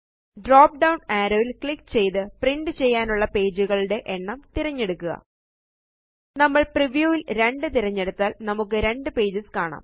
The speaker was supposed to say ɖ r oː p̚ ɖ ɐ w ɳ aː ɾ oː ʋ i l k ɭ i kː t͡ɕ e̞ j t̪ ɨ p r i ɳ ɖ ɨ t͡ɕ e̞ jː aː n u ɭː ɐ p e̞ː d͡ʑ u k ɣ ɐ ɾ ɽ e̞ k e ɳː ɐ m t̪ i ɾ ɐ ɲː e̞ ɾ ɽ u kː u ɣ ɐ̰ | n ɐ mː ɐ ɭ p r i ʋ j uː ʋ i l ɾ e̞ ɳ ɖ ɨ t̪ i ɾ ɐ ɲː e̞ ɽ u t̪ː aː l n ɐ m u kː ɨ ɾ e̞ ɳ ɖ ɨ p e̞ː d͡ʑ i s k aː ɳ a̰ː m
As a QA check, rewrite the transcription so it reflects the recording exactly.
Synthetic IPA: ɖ r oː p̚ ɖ ɐ w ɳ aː ɾ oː ʋ i l k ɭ i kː t͡ɕ e̞ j t̪ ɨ p r i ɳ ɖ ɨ t͡ɕ e̞ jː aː n u ɭː ɐ p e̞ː d͡ʑ u ɣ ɐ ɭ ɽ e̞ ʔ e ɳː ɐ m t̪ i ɾ ɐ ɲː e̞ ɽ u kː u ɣ ɐ̰ | n ɐ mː ɐ ɭ p r i ʋ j uː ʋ i l ɾ e̞ ɳ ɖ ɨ t̪ i ɾ ɐ ɲː e̞ ɽ u t̪ː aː l n ɐ m u kː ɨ ɾ e̞ ɳ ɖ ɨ p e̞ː d͡ʑ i s k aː ɳ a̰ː m